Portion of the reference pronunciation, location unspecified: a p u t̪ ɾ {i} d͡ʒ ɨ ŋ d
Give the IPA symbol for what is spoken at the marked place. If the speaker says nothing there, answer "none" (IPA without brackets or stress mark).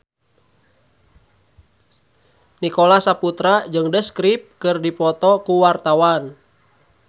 a